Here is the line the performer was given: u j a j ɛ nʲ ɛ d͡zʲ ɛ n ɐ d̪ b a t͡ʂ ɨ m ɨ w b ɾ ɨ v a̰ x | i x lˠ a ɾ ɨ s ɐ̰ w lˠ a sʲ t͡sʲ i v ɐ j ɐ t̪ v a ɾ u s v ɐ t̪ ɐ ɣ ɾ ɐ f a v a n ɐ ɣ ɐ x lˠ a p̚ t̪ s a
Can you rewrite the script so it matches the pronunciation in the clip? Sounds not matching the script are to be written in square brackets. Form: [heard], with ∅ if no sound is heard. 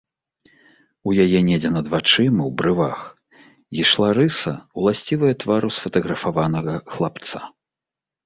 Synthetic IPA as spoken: u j a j ɛ nʲ ɛ d͡zʲ ɛ n ɐ d̪ [v] a t͡ʂ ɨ m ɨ w b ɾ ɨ v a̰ x | i [ʂ] lˠ a ɾ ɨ s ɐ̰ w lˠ a sʲ t͡sʲ i v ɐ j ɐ t̪ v a ɾ u s [f] ɐ t̪ ɐ ɣ ɾ ɐ f a v a n ɐ ɣ ɐ x lˠ a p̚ t̪ s a